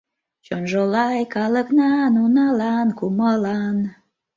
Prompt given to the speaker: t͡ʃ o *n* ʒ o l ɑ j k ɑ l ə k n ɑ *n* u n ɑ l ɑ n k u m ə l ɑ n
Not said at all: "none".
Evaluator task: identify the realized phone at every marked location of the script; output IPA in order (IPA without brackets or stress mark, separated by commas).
n, n